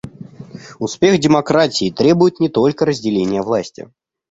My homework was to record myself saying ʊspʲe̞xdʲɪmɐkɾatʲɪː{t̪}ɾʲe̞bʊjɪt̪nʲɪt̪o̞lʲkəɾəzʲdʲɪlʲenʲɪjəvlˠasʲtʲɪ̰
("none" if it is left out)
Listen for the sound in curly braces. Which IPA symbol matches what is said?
t̪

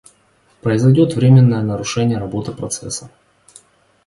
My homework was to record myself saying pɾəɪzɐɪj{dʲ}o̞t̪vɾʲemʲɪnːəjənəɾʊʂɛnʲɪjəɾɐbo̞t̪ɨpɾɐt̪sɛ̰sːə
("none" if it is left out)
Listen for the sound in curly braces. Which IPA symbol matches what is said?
dʲ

